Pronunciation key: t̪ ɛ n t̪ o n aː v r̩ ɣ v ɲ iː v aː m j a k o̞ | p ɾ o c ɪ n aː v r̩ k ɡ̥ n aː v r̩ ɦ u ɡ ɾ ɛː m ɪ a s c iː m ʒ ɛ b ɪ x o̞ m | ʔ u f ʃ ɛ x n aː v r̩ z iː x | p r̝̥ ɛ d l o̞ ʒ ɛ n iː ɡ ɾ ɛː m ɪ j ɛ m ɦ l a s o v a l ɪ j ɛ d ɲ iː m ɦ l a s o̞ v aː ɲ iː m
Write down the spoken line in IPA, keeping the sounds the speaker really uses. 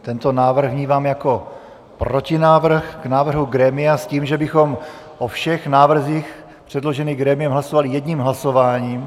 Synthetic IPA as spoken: t̪ ɛ n t̪ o n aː v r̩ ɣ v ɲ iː v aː m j a k o̞ | p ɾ o c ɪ n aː v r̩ x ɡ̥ n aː v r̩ ɦ u ɡ ɾ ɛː m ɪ a s c iː m ʒ ɛ b ɪ x o̞ m | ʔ o f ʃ ɛ x n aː v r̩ z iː x | p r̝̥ ɛ d l o̞ ʒ ɛ n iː ɡ ɾ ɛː m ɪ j ɛ m ɦ l a s o v a l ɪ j ɛ d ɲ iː m ɦ l a s o̞ v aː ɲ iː m